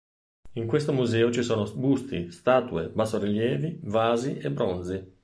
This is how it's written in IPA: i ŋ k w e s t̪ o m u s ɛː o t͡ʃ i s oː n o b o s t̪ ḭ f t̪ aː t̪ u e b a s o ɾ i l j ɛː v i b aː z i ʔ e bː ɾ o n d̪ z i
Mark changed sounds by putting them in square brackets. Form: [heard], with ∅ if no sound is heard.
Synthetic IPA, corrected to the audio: i ŋ k w e s t̪ o m u [z] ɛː o t͡ʃ i s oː n o b [u] s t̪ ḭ [s] t̪ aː t̪ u e b a s o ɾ i l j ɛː v i [v] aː z i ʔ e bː ɾ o n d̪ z i